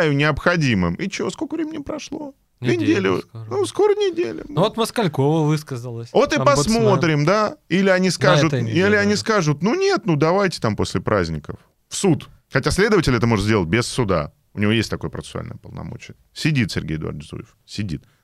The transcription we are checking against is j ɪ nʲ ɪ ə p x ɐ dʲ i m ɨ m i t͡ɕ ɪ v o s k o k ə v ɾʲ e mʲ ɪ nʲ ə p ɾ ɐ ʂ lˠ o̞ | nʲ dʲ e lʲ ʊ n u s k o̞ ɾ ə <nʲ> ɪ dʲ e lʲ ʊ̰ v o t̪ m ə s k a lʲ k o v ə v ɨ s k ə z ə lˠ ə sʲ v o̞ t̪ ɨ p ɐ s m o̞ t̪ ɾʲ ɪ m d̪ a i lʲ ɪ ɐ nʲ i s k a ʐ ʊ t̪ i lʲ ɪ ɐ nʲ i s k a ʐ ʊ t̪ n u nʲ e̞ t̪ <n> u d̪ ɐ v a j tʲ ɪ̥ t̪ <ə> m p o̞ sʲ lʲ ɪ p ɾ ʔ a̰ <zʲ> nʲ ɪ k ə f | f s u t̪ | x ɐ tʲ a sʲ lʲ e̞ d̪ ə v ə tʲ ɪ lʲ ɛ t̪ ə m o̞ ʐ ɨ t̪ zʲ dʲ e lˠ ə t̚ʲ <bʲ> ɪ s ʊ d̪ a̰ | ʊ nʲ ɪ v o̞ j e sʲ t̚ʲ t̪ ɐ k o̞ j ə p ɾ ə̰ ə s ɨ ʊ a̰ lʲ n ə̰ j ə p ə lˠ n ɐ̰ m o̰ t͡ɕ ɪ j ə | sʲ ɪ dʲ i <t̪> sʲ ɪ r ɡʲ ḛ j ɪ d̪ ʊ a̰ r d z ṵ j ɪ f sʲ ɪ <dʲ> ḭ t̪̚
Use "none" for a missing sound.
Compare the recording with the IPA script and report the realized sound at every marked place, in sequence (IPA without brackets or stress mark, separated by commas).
nʲ, n, a, zʲ, bʲ, t̪, dʲ